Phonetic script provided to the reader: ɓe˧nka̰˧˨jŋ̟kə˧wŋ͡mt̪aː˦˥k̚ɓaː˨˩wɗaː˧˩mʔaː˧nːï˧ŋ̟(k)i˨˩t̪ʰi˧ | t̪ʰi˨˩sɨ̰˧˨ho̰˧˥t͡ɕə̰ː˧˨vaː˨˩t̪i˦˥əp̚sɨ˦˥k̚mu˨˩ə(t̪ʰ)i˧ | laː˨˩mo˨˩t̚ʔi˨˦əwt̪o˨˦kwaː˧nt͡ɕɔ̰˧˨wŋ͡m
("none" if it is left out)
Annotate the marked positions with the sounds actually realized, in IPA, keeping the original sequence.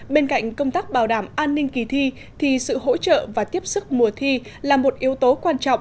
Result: k, t̪ʰ

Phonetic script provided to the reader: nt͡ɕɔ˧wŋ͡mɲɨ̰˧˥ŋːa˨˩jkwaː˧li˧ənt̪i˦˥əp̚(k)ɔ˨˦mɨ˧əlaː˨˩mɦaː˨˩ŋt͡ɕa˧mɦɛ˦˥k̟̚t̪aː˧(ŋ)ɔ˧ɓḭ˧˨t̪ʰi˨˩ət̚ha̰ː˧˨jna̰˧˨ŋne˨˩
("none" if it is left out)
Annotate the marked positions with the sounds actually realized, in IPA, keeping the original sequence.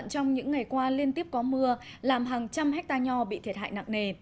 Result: k, ɲ

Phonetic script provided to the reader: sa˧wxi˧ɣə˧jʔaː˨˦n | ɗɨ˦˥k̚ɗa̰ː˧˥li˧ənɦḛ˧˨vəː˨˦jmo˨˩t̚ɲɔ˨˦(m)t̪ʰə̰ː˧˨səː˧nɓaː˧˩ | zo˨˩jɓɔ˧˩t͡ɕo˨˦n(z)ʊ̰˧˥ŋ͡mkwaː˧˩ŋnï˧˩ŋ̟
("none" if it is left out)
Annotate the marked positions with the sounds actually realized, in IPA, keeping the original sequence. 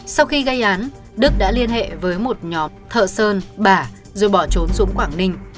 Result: m, z

